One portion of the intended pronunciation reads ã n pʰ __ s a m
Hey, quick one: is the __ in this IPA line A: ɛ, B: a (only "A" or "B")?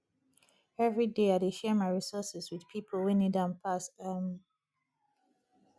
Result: B